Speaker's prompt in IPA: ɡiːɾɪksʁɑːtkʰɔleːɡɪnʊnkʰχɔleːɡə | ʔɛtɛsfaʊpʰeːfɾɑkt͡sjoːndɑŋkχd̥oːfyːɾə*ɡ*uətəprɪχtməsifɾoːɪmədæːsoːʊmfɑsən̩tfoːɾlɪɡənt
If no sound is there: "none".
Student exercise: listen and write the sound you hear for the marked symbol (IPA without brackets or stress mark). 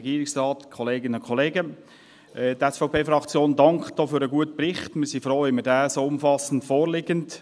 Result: ɡ